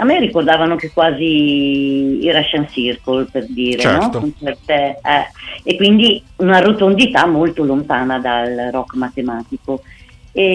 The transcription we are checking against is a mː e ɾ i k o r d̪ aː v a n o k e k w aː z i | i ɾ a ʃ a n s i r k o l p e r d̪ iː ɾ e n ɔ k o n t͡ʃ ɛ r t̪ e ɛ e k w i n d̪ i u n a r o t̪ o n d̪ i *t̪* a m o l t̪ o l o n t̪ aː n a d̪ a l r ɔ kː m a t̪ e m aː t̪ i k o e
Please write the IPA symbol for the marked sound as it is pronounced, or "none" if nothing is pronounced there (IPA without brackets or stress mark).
t̪